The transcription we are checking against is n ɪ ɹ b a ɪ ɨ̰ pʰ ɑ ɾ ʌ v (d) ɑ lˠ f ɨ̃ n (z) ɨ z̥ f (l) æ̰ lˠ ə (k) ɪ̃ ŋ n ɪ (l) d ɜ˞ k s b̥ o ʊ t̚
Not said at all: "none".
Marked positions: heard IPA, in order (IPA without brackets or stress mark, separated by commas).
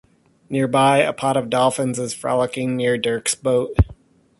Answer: d, z, ɹ, k, ɹ